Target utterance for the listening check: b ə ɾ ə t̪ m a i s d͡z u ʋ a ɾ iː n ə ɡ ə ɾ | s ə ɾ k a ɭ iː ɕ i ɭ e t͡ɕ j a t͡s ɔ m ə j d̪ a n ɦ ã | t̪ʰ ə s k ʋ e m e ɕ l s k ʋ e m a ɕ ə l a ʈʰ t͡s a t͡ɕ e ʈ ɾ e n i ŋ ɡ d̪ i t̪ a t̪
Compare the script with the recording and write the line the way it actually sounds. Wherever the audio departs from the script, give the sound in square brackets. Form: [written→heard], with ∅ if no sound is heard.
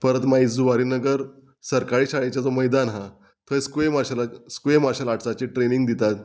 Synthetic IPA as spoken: [b→p] ə ɾ ə t̪ m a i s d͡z u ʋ a ɾ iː n ə ɡ ə ɾ | s ə ɾ k a ɭ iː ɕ [i→a] ɭ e t͡ɕ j a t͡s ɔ m ə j d̪ a n ɦ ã | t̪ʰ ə s k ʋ e m [e→a] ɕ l s k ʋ e m a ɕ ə l a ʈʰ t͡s a t͡ɕ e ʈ ɾ e n i ŋ ɡ d̪ i t̪ a t̪